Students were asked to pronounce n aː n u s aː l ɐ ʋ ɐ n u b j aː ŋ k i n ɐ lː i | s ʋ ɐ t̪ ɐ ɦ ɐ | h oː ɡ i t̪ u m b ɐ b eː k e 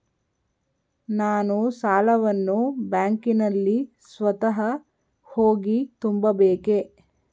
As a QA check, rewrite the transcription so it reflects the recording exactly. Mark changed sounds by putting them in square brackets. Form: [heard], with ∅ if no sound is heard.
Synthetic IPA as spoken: n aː n u s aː l ɐ ʋ ɐ [nː] u b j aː ŋ k i n ɐ lː i | s ʋ ɐ t̪ ɐ ɦ ɐ | h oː ɡ i t̪ u m b ɐ b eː k e